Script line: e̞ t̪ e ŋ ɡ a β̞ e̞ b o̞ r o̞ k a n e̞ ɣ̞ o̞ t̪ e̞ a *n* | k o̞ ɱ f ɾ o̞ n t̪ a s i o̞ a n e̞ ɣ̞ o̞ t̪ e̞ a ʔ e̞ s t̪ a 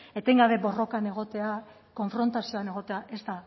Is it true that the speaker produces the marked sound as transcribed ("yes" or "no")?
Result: no